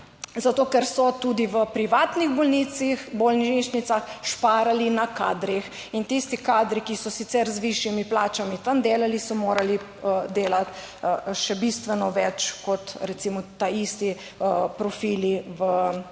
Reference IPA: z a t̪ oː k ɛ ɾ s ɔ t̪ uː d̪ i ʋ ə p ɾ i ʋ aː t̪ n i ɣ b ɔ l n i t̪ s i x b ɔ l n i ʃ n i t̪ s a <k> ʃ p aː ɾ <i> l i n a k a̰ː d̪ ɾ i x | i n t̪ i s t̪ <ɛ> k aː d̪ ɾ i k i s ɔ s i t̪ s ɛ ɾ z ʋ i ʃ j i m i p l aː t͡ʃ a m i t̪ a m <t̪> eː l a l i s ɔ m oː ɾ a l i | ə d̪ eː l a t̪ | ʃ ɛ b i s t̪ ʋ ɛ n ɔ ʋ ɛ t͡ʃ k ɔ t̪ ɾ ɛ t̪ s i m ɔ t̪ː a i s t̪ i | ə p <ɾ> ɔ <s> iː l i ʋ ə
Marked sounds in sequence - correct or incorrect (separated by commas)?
incorrect, incorrect, incorrect, incorrect, correct, incorrect